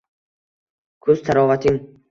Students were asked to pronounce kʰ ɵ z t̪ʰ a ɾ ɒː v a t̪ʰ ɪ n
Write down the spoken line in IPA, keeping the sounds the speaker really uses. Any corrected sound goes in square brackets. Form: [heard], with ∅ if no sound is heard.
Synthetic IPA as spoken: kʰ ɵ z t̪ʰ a ɾ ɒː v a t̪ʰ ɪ [ŋ]